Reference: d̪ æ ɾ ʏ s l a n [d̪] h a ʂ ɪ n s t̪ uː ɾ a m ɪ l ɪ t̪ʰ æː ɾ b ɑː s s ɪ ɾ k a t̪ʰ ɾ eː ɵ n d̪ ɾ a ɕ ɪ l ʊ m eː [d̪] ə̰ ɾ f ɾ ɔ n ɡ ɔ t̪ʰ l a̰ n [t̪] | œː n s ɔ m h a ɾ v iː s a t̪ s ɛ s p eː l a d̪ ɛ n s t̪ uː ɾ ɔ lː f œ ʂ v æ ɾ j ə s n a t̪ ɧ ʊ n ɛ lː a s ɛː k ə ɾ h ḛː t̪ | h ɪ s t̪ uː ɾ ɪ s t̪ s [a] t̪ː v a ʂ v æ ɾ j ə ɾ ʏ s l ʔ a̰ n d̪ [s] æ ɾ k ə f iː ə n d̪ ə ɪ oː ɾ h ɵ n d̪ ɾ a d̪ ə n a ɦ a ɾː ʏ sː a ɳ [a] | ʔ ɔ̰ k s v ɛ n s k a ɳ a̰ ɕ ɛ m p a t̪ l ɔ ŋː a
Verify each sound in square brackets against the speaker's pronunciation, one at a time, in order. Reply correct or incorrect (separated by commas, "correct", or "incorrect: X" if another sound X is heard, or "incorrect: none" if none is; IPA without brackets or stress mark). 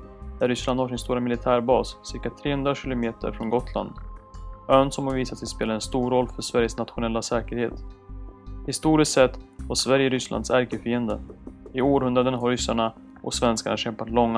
correct, incorrect: t̪, incorrect: d̪, incorrect: ɛ, correct, correct